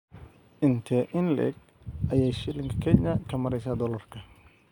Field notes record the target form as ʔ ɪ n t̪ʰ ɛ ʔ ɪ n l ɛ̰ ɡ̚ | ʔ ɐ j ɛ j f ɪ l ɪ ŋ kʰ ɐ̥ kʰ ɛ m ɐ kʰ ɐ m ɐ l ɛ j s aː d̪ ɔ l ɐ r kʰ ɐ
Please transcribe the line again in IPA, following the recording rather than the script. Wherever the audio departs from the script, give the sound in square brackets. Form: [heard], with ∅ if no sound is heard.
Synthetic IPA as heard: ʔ ɪ n t̪ʰ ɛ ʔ ɪ n l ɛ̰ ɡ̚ | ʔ ɐ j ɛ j [ʃ] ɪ l ɪ ŋ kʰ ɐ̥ kʰ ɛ [ɲ] ɐ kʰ ɐ m ɐ [ɾ] ɛ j s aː d̪ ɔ l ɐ r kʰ ɐ